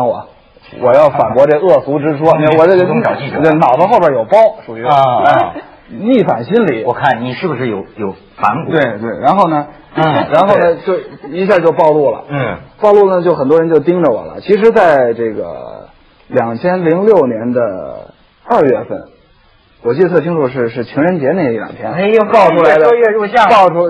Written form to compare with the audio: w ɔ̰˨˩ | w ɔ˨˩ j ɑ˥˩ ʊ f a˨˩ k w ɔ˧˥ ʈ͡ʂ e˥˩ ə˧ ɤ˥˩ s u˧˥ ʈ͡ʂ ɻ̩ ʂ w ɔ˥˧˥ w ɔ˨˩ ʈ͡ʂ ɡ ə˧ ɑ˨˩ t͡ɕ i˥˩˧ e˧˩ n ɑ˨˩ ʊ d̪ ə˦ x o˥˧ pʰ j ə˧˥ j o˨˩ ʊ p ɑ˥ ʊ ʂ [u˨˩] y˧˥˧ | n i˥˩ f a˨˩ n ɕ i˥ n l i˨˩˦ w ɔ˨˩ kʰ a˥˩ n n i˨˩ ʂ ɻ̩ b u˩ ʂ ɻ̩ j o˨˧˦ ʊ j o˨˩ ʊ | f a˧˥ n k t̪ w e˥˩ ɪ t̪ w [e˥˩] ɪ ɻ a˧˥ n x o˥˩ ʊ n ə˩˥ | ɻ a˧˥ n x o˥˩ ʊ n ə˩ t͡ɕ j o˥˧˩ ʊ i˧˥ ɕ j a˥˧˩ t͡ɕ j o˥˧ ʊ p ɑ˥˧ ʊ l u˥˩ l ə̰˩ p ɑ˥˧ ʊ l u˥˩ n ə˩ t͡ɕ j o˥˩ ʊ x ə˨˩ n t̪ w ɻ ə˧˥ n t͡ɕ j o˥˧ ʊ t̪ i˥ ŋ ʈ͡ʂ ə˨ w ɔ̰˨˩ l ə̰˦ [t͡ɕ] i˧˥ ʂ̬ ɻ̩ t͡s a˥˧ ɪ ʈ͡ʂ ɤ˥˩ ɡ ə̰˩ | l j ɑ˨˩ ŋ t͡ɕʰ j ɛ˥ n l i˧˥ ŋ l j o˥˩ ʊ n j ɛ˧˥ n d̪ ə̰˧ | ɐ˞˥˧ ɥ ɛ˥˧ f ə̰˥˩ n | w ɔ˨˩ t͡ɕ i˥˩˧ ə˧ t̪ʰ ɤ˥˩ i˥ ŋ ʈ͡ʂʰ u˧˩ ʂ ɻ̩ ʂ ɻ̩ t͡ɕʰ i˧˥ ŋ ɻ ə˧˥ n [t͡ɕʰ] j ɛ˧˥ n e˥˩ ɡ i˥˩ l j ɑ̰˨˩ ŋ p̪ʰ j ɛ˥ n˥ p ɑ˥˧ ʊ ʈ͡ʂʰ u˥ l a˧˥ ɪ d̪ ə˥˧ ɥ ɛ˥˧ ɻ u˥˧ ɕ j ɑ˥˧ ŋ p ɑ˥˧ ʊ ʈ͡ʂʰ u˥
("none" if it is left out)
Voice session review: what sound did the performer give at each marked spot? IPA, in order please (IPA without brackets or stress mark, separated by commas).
u˨˩, e˥˩, t͡ɕʰ, t͡ɕ